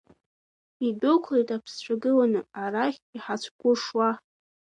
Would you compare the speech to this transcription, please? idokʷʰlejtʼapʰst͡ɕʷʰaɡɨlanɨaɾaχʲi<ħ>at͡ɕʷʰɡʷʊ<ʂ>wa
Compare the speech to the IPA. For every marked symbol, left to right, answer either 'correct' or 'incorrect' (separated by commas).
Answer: correct, correct